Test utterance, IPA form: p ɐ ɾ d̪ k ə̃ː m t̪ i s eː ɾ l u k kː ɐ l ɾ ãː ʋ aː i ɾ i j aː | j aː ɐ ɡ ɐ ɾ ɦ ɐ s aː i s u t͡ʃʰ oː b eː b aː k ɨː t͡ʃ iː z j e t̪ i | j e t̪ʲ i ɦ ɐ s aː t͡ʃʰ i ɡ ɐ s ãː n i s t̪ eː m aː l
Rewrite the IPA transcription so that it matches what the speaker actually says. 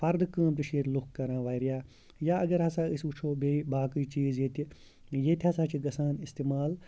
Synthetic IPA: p ɐ ɾ d̪ k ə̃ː m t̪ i ʃ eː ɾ l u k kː ɐ ɾ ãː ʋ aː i ɾ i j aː | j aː ɐ ɡ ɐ ɾ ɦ ɐ s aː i s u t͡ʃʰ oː b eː b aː k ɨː t͡ʃ iː z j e t̪ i | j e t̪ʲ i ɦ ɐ s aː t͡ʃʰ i ɡ ɐ s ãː n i s t̪ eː m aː l